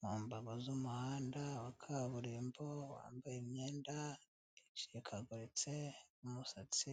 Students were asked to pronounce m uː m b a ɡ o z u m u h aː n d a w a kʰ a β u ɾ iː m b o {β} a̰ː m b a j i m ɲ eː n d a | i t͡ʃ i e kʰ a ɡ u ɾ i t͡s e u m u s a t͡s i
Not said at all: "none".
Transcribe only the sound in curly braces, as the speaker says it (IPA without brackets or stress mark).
w